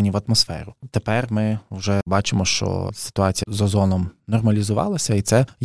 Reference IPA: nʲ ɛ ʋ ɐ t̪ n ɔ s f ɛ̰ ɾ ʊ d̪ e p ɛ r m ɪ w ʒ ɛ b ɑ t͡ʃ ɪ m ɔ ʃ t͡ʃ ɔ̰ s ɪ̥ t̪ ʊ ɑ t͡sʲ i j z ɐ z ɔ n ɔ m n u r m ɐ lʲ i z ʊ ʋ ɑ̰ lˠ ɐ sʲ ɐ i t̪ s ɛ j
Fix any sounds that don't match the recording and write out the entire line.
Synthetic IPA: nʲ i ʋ ɐ t̪ m ɔ s f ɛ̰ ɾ ʊ t̪ e p ɛ r m ɪ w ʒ ɛ b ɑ t͡ʃ ɪ m ɔ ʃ t͡ʃ ɔ̰ s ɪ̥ t̪ ʊ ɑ t͡sʲ i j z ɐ z ɔ n ɔ m n ɔ r m ɐ lʲ i z ʊ ʋ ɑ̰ lˠ ɐ sʲ ɐ i t̪ s ɛ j